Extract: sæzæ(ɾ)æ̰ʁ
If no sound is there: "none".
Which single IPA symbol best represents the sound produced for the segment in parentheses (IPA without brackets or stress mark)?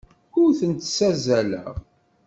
l